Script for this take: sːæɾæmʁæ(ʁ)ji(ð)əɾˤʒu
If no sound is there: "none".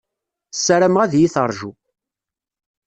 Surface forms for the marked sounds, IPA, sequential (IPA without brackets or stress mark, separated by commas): ð, θ